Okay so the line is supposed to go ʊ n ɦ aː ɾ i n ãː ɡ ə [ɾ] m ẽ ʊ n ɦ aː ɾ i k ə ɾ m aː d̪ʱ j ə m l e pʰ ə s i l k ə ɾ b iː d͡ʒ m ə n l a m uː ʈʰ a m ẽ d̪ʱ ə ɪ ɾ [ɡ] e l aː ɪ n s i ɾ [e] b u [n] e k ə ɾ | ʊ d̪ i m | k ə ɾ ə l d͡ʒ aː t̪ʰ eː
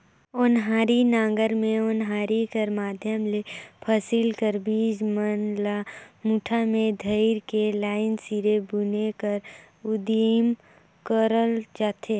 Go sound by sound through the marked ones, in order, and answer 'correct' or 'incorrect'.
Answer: correct, incorrect: k, correct, correct

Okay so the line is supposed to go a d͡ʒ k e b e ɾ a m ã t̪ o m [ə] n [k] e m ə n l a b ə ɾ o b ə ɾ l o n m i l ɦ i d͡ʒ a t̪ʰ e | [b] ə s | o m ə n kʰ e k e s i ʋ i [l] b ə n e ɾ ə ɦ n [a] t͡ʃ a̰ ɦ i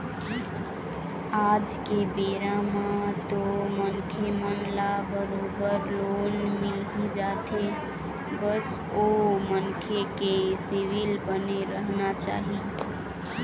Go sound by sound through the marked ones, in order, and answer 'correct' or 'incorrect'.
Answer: correct, incorrect: kʰ, correct, correct, correct

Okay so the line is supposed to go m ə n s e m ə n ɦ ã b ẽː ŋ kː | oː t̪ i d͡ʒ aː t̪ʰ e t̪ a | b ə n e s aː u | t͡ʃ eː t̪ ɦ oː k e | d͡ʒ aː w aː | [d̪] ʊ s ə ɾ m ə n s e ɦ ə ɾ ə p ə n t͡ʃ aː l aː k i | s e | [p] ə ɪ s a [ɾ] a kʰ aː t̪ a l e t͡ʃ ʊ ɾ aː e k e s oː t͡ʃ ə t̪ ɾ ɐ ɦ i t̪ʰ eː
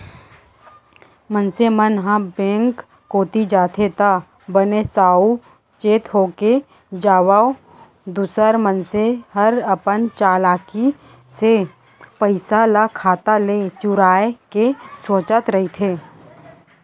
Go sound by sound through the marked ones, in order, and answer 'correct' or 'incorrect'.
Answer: correct, correct, incorrect: l

